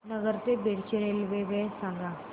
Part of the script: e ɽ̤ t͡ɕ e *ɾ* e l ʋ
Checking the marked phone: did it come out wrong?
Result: no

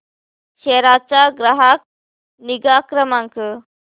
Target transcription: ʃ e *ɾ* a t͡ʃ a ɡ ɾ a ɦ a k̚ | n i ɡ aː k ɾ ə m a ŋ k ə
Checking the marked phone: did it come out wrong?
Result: no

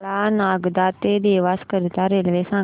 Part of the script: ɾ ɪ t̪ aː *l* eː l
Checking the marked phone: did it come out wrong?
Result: yes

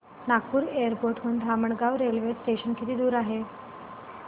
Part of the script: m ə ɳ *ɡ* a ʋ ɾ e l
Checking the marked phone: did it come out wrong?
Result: no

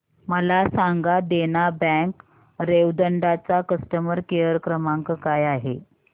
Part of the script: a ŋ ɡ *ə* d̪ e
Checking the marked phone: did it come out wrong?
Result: yes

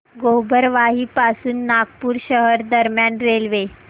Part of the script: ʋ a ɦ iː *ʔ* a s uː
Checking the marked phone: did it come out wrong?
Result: yes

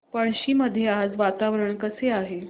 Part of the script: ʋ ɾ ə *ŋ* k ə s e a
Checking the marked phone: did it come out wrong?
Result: yes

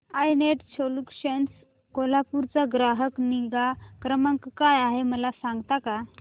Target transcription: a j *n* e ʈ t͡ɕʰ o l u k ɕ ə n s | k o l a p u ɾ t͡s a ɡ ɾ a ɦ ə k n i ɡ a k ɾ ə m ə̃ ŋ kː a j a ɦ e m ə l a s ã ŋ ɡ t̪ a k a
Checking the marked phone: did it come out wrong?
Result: no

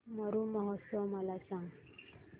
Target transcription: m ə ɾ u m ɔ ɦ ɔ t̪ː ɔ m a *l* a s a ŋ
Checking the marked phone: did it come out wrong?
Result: no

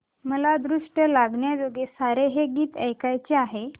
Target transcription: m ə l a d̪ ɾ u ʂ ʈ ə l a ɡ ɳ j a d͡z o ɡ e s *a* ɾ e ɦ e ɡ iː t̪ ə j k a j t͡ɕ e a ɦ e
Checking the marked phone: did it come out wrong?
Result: no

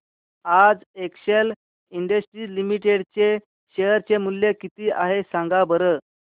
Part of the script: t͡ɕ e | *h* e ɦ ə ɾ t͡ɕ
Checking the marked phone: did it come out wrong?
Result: yes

